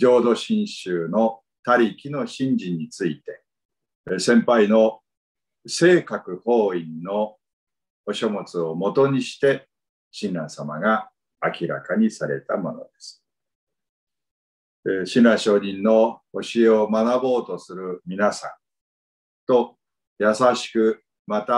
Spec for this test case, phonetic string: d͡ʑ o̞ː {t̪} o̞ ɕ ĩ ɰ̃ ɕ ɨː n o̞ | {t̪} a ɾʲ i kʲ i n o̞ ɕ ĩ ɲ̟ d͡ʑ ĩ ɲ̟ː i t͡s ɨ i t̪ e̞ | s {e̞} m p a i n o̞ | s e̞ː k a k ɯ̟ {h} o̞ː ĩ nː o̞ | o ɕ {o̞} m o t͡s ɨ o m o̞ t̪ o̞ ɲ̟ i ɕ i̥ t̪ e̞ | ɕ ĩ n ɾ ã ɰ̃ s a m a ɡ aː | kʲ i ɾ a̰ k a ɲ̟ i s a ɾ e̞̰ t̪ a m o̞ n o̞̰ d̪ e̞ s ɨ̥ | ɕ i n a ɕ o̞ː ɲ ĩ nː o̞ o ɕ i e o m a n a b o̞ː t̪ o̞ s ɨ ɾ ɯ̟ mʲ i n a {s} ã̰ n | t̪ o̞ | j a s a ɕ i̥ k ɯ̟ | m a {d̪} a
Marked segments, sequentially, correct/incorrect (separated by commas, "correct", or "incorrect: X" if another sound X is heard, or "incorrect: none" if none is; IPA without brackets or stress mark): incorrect: d̪, correct, incorrect: ẽ̞, correct, correct, correct, incorrect: t̪